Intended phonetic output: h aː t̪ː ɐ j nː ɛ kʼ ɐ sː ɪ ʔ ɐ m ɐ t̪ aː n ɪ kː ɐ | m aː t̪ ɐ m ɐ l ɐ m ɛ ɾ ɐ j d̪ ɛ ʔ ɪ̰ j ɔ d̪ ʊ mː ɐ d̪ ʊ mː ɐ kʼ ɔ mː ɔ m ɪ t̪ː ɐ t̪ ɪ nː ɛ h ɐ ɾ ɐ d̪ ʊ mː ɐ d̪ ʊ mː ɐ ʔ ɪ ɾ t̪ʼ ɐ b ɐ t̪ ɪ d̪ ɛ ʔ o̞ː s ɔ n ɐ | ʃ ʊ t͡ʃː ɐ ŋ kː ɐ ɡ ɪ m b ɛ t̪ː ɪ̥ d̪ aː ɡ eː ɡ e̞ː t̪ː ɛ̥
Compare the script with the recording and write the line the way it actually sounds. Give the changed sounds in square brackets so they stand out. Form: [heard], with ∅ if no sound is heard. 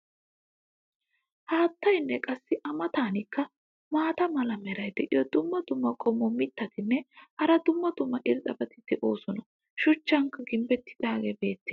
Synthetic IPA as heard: h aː t̪ː ɐ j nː ɛ kʼ ɐ sː ɪ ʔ ɐ m ɐ t̪ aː n ɪ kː ɐ | m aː t̪ ɐ m ɐ l ɐ m ɛ ɾ ɐ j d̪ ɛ ʔ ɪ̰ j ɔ d̪ ʊ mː ɐ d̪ ʊ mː ɐ kʼ ɔ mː ɔ m ɪ t̪ː ɐ t̪ ɪ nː ɛ h ɐ ɾ ɐ d̪ ʊ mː ɐ d̪ ʊ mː ɐ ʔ ɪ ɾ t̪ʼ ɐ b ɐ t̪ ɪ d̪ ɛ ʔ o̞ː s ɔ n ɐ | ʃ ʊ t͡ʃː ɐ ŋ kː ɐ ɡ ɪ m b ɛ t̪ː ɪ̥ d̪ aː ɡ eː [b] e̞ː t̪ː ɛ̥